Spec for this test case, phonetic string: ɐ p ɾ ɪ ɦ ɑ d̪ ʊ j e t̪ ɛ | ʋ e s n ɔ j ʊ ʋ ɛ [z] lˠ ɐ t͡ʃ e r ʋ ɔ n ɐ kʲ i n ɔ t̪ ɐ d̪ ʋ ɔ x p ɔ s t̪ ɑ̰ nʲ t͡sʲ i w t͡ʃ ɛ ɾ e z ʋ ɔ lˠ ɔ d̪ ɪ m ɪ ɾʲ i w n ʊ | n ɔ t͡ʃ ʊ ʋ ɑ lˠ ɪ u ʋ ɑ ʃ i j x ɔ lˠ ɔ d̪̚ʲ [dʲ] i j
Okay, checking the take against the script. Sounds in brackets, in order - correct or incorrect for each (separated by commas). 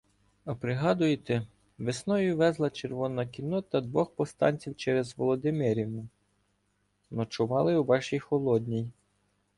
correct, incorrect